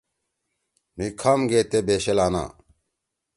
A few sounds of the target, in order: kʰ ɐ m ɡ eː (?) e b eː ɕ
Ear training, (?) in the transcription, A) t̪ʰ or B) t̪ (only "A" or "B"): B